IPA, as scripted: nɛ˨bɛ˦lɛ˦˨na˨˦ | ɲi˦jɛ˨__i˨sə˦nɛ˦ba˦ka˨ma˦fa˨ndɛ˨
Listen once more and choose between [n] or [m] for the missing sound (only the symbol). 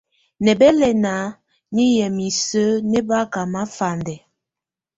m